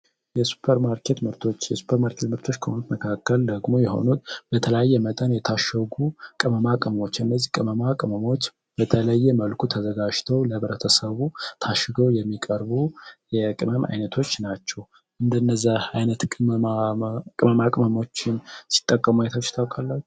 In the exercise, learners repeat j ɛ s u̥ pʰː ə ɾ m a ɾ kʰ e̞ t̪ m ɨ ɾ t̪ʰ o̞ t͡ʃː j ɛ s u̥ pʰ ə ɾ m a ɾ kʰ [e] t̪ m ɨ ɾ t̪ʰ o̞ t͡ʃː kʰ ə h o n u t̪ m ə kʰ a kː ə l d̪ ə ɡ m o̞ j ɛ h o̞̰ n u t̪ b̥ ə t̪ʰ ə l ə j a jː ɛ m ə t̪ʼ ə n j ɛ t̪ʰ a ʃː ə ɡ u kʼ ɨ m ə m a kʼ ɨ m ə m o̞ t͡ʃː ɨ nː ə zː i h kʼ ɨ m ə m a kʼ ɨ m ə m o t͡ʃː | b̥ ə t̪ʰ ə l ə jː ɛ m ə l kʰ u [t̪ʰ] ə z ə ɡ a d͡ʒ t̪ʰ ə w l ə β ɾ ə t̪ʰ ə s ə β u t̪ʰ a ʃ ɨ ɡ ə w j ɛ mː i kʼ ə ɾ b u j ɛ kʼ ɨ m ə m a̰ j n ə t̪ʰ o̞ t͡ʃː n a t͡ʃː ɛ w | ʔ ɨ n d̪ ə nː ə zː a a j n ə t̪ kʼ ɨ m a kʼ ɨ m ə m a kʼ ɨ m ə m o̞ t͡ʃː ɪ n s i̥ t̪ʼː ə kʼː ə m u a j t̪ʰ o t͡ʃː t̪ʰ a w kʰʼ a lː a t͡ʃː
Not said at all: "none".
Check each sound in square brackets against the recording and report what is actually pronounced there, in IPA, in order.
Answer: e, t̪ʰ

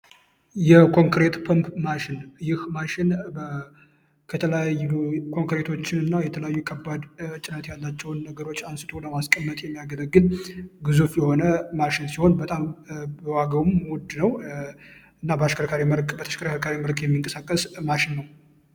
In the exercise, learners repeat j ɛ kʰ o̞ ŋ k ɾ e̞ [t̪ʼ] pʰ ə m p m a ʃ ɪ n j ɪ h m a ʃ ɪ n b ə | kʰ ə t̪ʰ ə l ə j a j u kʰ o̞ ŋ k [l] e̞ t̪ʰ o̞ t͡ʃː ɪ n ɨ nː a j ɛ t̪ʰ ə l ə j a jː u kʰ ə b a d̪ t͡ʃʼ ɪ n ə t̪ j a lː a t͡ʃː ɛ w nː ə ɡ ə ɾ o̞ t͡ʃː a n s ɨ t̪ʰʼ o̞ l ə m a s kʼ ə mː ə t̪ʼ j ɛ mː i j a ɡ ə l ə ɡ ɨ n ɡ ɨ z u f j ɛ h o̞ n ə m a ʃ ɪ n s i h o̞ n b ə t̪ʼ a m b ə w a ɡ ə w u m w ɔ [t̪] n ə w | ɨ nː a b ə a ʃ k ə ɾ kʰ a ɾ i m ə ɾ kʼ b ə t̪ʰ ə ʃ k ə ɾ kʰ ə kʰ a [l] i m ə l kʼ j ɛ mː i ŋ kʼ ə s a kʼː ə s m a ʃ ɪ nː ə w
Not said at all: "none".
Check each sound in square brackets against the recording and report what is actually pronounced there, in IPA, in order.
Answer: t̪, ɾ, d̪, ɾ

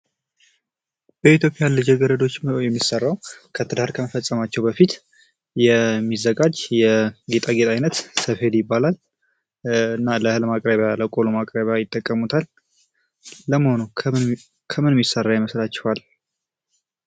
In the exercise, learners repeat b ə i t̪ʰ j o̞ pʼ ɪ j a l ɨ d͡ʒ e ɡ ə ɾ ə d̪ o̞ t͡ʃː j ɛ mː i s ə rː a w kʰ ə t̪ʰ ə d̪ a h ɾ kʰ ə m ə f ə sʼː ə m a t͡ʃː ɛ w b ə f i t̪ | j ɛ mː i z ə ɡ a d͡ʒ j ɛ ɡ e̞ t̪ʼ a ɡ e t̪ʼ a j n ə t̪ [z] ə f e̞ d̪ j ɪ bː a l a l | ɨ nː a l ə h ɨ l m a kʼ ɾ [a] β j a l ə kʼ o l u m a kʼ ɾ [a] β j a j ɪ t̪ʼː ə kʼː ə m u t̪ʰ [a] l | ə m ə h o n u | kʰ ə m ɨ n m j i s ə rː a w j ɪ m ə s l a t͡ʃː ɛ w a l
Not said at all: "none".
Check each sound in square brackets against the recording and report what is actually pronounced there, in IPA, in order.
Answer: s, ə, ə, a

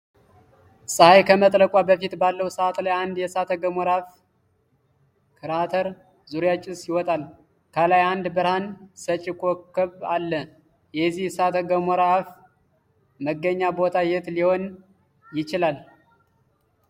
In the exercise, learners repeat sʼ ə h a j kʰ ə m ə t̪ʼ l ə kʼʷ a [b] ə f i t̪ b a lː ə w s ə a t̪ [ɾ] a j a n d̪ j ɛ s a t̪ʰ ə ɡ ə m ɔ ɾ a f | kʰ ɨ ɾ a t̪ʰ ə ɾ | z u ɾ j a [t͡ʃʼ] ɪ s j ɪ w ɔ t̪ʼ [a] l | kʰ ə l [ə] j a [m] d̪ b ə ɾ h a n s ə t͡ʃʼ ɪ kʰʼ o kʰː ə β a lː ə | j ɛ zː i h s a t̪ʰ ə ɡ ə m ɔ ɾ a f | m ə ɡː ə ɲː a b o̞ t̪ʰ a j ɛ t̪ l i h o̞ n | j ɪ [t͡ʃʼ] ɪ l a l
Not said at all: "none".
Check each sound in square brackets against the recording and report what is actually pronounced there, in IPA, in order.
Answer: b, l, t͡ʃʼ, a, a, n, t͡ʃ

